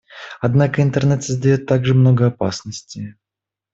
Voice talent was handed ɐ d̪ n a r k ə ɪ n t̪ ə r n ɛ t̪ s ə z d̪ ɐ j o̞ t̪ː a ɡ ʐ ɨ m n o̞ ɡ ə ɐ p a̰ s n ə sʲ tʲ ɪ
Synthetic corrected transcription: ɐ d̪ n a k ə ɪ n t̪ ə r n ɛ t̪ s ə z d̪ ɐ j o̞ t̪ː a ɡ ʐ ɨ m n o̞ ɡ ə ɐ p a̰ s n ə sʲ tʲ ɪ